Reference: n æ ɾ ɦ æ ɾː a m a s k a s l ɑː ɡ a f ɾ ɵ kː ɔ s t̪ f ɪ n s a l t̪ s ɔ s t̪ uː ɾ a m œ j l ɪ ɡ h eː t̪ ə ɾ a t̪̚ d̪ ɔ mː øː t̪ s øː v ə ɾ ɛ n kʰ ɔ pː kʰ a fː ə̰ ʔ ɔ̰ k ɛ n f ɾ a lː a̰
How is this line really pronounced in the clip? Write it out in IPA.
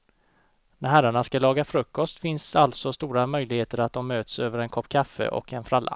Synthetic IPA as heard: n æ ɾ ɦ æ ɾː a ɳ a s k a l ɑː ɡ a f ɾ ɵ kː ɔ s t̪ f ɪ n s a l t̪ s ɔ s t̪ uː ɾ a m œ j l ɪ ɡ h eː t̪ ə ɾ a t̪̚ d̪ ɔ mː øː t̪ s øː v ə ɾ ɛ n kʰ ɔ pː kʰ a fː ə̰ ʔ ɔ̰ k ɛ n f ɾ a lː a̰